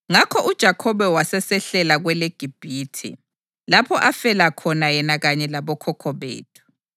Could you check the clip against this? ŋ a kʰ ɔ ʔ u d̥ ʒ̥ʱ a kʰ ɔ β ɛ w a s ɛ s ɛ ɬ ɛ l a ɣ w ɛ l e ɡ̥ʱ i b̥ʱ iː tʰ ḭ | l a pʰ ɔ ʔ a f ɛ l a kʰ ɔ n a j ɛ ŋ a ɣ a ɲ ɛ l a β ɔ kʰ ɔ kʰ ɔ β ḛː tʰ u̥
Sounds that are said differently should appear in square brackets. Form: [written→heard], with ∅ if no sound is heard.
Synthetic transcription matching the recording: ŋ a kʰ ɔ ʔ u d̥ ʒ̥ʱ a kʰ ɔ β ɛ w a s ɛ s ɛ ɬ ɛ l a ɣ w ɛ l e ɡ̥ʱ i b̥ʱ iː tʰ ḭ | l a pʰ ɔ ʔ a f ɛ l a kʰ ɔ n a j ɛ [ŋ→n] a ɣ a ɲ ɛ l a β ɔ kʰ ɔ kʰ ɔ β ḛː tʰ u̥